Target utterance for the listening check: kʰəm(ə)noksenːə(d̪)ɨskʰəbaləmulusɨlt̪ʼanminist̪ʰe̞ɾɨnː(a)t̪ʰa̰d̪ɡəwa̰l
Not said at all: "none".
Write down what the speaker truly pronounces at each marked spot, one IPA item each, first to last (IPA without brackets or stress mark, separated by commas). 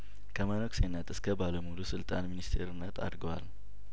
ə, t̪, ə